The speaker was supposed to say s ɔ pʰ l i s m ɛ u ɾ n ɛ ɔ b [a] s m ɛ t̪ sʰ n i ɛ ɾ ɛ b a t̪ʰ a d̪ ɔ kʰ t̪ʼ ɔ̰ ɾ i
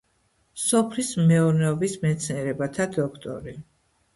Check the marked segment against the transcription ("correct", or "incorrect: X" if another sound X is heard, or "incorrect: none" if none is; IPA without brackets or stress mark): incorrect: i